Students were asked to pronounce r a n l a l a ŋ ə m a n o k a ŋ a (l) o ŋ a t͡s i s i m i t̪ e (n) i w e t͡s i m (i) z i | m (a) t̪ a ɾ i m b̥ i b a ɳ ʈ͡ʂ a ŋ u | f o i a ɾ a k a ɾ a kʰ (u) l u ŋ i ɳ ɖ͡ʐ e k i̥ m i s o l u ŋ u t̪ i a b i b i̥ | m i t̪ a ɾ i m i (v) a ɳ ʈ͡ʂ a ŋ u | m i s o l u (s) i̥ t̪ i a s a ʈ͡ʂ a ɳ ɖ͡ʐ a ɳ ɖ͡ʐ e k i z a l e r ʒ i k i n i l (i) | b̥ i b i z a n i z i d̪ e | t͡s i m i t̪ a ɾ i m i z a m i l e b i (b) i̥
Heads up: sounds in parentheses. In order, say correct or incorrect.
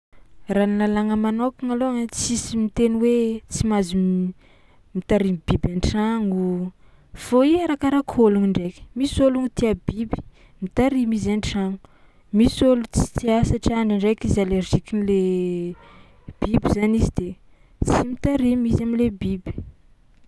correct, correct, incorrect: a, incorrect: i, incorrect: o, incorrect: z, incorrect: t͡s, incorrect: e, correct

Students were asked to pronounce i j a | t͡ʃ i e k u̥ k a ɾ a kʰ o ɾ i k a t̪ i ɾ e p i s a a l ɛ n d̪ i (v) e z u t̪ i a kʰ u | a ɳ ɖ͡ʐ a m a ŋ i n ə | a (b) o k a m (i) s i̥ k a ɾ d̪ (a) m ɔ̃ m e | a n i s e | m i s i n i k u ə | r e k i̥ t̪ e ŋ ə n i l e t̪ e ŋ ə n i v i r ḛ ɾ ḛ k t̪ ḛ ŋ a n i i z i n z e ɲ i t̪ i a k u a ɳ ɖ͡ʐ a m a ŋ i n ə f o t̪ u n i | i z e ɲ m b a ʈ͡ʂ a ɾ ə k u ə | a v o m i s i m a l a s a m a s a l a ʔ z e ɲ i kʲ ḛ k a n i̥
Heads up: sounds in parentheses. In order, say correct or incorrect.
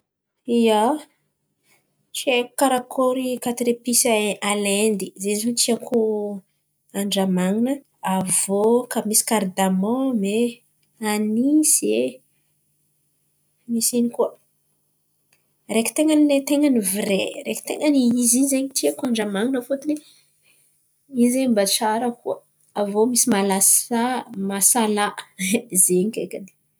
incorrect: z, incorrect: v, correct, correct

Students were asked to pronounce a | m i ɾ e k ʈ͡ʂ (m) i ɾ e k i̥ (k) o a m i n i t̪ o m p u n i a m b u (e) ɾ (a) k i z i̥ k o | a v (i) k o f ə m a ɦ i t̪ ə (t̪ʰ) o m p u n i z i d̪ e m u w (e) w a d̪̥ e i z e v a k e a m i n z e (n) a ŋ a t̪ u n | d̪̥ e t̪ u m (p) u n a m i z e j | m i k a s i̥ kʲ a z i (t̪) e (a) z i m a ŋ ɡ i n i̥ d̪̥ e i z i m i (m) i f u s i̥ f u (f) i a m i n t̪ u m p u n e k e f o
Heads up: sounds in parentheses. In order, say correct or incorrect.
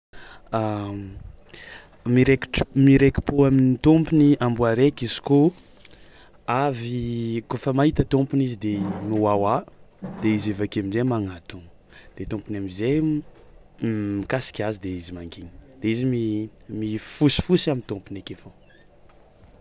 correct, incorrect: p, incorrect: a, incorrect: e, correct, incorrect: t̪, incorrect: a, incorrect: m, correct, incorrect: d̪, incorrect: i, correct, incorrect: s

